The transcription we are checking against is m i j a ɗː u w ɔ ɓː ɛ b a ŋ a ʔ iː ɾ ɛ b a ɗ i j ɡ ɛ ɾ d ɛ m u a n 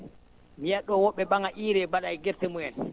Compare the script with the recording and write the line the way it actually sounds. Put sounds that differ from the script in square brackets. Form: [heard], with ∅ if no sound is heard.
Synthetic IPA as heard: m i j a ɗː [ɔ] w ɔ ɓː ɛ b a ŋ a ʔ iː ɾ ɛ b a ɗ [a] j ɡ ɛ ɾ [t] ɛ m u [ɛ] n